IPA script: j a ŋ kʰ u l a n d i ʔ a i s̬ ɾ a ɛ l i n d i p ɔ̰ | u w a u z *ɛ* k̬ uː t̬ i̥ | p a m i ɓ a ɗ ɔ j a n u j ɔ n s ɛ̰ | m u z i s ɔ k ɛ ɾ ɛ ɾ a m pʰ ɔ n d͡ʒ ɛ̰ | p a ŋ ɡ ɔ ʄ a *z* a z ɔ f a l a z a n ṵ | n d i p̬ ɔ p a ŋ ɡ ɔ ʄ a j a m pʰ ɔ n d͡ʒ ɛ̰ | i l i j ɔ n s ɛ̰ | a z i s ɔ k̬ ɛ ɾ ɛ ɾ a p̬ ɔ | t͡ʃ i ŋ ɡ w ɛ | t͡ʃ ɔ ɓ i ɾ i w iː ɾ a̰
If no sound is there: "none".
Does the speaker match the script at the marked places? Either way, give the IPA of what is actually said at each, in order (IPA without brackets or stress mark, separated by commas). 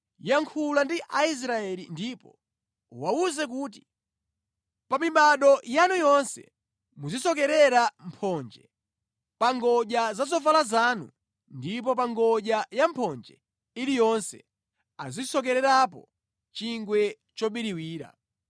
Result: ɛ, z